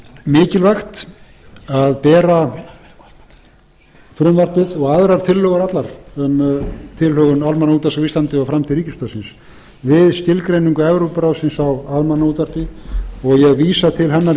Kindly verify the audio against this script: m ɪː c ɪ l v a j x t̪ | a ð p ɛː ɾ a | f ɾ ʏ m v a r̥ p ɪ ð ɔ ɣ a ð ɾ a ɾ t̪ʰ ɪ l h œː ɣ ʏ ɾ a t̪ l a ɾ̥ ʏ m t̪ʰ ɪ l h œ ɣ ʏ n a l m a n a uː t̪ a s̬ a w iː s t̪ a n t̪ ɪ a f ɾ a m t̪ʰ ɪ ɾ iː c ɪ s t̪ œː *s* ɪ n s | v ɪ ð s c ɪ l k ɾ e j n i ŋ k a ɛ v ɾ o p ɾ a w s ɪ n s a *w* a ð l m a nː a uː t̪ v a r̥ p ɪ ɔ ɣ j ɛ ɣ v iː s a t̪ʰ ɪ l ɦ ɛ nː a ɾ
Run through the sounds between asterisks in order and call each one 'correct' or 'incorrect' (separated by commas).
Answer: correct, correct